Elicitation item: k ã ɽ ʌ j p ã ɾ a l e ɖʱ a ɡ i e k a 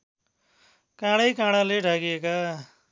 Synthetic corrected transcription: k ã ɽ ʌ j k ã ɽ a l e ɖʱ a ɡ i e k a